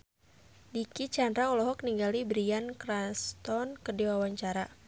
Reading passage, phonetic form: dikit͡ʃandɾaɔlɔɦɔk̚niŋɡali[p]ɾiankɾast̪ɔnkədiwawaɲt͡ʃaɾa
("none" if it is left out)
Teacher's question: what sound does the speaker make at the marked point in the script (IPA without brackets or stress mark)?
b